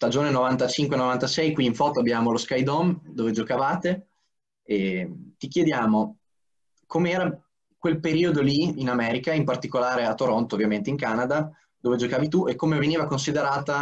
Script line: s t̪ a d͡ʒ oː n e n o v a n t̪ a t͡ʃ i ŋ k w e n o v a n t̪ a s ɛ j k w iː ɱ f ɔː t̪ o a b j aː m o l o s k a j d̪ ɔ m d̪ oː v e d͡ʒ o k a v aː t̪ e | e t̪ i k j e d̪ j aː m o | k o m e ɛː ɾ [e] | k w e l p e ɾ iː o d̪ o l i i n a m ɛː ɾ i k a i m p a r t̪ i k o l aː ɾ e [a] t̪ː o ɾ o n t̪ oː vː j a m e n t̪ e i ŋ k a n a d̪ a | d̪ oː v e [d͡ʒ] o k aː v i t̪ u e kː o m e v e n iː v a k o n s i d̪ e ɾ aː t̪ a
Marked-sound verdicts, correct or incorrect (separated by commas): incorrect, correct, correct